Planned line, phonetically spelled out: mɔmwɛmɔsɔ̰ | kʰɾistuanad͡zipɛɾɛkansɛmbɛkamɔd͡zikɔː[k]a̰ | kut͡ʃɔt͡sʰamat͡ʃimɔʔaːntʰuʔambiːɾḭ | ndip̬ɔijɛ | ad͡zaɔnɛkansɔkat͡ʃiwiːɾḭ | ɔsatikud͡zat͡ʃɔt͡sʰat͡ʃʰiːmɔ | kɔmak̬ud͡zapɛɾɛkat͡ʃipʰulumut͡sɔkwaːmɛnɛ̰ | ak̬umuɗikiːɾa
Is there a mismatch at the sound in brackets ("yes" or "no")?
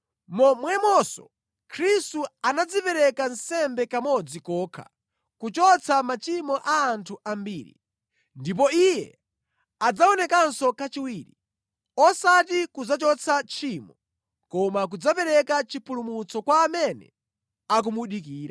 yes